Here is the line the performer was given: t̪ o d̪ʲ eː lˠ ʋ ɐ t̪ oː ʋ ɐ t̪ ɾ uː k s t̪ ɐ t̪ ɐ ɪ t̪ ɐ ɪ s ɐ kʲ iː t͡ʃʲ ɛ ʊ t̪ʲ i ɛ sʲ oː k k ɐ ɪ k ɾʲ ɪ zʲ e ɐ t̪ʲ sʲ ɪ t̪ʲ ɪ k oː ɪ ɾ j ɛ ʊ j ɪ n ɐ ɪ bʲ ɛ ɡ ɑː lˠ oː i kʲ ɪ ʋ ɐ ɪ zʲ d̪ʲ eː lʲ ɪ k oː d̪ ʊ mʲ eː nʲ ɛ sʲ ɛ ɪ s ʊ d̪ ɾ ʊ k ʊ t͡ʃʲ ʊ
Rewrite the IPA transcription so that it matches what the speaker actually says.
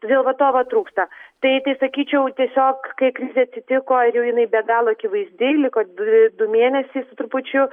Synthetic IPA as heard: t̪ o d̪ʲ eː lˠ ʋ ɐ t̪ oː ʋ ɐ t̪ ɾ uː k s t̪ ɐ t̪ ɐ ɪ t̪ ɐ ɪ s ɐ kʲ iː t͡ʃʲ ɛ ʊ t̪ʲ i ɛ sʲ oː k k ɐ ɪ k ɾʲ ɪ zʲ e ɐ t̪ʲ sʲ ɪ t̪ʲ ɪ k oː ɪ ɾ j ɛ ʊ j ɪ n ɐ ɪ bʲ ɛ ɡ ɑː lˠ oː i kʲ ɪ ʋ ɐ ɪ zʲ d̪ʲ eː lʲ ɪ k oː d̪ ʊ mʲ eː nʲ ɛ sʲ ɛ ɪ s ʊ t̪ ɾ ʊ p ʊ t͡ʃʲ ʊ

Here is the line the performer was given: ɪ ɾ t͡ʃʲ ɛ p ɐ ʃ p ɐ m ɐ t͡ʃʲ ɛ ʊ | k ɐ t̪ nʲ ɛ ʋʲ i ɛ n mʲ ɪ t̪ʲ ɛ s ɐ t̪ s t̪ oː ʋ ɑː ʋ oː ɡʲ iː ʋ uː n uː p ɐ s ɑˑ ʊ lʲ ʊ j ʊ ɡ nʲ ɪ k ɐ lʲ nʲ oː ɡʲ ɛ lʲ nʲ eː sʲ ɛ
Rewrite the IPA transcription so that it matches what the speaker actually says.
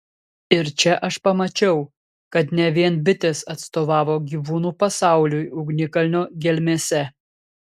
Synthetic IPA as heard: ɪ ɾ t͡ʃʲ ɛ ʔ ɐ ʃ p ɐ m ɐ t͡ʃʲ ɛ ʊ | k ɐ t̪ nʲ ɛ ʋʲ i ɛ n bʲ ɪ t̪ʲ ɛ s ɐ t̪ s t̪ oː ʋ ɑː ʋ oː ɡʲ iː ʋ uː n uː p ɐ s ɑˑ ʊ lʲ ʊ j ʊ ɡ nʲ ɪ k ɐ lʲ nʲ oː ɡʲ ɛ lʲ mʲ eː sʲ ɛ

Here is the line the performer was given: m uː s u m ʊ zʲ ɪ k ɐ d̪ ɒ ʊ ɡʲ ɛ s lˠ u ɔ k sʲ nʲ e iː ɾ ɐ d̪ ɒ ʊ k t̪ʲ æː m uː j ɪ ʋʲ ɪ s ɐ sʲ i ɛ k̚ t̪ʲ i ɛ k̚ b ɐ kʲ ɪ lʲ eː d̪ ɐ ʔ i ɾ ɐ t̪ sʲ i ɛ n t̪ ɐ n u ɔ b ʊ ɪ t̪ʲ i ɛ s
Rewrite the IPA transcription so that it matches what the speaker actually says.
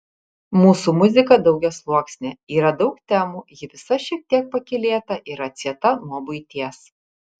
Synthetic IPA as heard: m uː s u m ʊ zʲ ɪ k ɐ d̪ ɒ ʊ ɡʲ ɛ s lˠ u ɔ k sʲ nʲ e iː ɾ ɐ d̪ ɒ ʊ k t̪ʲ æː m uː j ɪ ʋʲ ɪ s ɐ ʃʲ i ɛ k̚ t̪ʲ i ɛ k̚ p ɐ kʲ ɪ lʲ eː t̪ ɐ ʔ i ɾ ɐ t̪ sʲ i ɛ t̪ ɐ n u ɔ b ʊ ɪ t̪ʲ i ɛ s

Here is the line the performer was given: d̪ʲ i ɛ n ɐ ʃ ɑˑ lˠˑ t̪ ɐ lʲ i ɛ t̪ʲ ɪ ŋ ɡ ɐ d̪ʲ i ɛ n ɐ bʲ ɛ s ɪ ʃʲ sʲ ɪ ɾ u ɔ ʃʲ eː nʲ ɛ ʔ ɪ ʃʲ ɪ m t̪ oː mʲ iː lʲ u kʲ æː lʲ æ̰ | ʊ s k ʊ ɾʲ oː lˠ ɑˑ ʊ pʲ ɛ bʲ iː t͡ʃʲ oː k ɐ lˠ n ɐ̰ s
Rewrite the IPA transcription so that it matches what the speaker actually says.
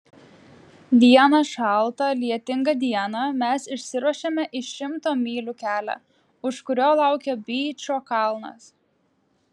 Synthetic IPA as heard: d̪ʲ i ɛ n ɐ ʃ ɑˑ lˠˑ t̪ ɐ lʲ i ɛ t̪ʲ ɪ ŋ ɡ ɐ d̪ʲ i ɛ n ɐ mʲ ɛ s ɪ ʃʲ sʲ ɪ ɾ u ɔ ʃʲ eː mʲ ɛ ʔ ɪ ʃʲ ɪ m t̪ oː mʲ iː lʲ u kʲ æː lʲ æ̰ | ʊ ʃ k ʊ ɾʲ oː lˠ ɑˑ ʊ kʲ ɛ bʲ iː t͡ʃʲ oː k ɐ lˠ n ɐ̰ s

